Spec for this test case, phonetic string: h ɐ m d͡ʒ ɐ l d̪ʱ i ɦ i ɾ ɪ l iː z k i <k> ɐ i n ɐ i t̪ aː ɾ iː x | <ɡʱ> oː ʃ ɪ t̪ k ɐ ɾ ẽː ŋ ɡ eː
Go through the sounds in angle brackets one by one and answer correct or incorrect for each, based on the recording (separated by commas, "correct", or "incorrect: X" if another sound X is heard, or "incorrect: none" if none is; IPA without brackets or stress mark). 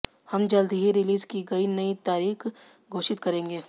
incorrect: ɡ, correct